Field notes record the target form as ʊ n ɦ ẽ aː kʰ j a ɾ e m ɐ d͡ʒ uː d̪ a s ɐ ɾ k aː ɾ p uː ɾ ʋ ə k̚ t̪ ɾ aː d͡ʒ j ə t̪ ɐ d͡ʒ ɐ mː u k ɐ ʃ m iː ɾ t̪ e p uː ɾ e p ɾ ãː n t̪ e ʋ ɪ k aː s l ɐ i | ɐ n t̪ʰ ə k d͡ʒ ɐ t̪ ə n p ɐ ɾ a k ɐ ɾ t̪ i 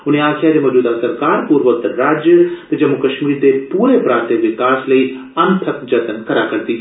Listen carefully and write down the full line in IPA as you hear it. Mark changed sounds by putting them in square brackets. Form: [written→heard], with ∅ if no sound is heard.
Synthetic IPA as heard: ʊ n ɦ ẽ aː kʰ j a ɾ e m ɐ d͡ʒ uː d̪ a s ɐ ɾ k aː ɾ p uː ɾ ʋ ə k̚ t̪ ɾ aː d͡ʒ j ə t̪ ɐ d͡ʒ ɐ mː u k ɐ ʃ m iː ɾ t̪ e p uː ɾ e p ɾ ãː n t̪ e ʋ ɪ k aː s l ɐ i | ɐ n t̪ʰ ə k d͡ʒ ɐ t̪ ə n [p→k] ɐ ɾ a k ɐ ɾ t̪ i